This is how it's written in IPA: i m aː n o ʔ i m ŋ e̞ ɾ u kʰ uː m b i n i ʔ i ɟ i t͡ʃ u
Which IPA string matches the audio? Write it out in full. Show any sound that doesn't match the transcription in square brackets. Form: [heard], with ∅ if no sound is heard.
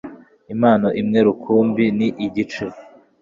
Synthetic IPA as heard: i m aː n o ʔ i m ŋ e̞ ɾ u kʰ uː m b i n i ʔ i ɟ i t͡ʃ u